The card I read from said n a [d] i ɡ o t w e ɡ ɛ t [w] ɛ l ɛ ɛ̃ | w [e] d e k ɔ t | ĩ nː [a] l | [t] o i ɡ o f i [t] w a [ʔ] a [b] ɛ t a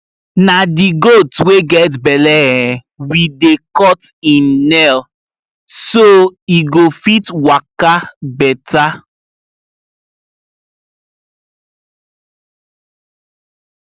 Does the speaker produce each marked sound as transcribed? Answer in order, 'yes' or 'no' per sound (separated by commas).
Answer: yes, no, no, no, no, yes, no, yes